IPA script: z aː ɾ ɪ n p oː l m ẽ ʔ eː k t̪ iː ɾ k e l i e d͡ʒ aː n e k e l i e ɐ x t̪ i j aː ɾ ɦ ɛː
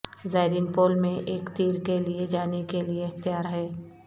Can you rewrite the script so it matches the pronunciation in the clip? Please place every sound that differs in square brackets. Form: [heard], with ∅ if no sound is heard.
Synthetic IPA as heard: z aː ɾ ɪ n p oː l m ẽ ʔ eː k t̪ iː ɾ k e l i e d͡ʒ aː n e k e l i e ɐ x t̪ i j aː ɾ ɦ ɛː